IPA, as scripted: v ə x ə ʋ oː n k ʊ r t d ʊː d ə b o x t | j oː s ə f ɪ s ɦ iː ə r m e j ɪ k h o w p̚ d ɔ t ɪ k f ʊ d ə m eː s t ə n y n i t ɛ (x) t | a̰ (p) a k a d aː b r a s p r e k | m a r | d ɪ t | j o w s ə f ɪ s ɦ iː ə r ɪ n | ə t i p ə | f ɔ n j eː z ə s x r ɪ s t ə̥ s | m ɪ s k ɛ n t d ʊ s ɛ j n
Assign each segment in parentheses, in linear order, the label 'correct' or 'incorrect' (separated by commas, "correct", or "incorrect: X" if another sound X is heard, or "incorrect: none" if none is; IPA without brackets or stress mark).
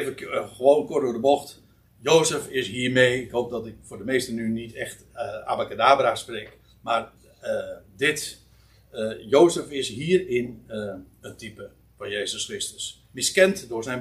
correct, incorrect: b